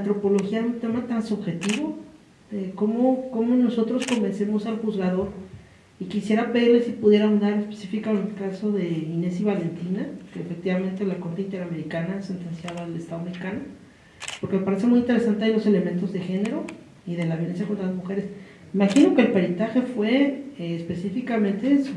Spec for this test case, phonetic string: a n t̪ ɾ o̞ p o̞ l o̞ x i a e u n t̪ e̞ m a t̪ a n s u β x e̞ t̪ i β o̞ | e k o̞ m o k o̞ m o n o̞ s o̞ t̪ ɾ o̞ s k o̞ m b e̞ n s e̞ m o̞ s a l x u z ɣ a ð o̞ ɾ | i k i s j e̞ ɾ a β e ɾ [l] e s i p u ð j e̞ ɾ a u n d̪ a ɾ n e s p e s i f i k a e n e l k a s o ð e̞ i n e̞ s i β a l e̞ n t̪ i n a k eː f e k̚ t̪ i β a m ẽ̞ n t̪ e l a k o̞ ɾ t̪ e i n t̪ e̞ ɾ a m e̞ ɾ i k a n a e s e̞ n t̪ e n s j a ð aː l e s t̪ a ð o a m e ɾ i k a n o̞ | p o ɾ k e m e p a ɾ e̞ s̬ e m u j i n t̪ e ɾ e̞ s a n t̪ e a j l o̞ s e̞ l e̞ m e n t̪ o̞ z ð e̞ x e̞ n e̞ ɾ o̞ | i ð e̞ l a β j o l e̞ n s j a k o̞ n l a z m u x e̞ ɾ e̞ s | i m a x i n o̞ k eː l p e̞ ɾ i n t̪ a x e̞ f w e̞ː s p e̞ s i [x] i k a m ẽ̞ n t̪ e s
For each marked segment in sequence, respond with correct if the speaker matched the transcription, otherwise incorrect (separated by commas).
correct, incorrect